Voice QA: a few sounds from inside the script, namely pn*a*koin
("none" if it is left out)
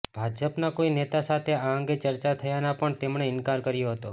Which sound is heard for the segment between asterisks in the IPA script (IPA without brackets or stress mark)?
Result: a